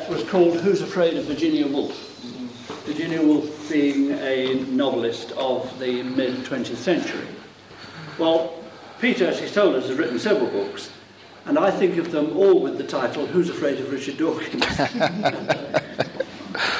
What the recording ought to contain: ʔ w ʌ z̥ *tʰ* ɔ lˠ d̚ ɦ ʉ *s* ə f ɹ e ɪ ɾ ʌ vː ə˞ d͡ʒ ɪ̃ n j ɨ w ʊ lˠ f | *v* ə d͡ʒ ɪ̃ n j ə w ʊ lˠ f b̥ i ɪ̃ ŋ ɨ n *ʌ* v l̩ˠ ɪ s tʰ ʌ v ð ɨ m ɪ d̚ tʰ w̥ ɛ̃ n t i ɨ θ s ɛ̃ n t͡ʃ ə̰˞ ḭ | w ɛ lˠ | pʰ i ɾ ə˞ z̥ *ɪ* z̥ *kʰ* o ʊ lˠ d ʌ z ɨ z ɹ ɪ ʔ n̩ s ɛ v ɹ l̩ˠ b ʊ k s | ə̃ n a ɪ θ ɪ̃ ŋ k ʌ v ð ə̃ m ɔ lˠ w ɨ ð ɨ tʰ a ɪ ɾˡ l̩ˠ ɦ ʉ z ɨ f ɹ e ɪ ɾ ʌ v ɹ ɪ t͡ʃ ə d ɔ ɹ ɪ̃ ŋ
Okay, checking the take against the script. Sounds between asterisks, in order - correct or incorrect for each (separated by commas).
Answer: incorrect, incorrect, correct, incorrect, incorrect, incorrect